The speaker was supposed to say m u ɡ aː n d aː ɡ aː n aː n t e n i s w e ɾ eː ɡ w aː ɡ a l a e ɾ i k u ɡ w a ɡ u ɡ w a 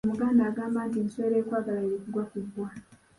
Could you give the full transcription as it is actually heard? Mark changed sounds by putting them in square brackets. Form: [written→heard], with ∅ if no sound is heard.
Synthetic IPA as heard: m u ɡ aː n d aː ɡ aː [n→m] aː n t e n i s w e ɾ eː [ɡ→k] w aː ɡ a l a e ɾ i k u ɡ w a [ɡ→k] u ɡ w a